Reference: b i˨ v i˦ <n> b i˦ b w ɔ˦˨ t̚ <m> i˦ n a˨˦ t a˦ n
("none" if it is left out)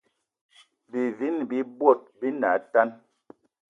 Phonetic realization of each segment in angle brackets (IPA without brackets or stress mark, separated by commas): n, b